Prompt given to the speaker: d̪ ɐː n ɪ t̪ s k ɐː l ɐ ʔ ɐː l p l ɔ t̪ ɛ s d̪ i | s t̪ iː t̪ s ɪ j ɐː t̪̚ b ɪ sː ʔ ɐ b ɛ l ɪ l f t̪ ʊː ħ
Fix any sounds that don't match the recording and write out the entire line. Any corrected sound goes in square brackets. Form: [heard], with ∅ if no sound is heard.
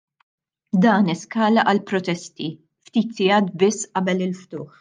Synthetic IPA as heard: d̪ ɐː n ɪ [∅] s k ɐː l ɐ ʔ [ɐ] l p [ɾ] ɔ t̪ ɛ s [t̪] i | [f] t̪ iː t̪ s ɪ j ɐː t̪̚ b ɪ sː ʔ ɐ b ɛ l ɪ l f t̪ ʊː ħ